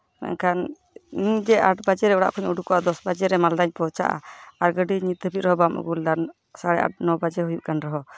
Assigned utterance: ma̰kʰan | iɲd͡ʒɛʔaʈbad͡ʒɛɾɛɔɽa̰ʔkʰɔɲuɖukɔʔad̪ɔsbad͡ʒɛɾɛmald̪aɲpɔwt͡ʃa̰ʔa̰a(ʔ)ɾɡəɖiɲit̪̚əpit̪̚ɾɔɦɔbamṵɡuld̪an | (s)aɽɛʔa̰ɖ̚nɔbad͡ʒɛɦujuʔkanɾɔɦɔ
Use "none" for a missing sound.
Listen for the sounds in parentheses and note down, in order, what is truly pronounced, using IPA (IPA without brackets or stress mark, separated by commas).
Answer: none, s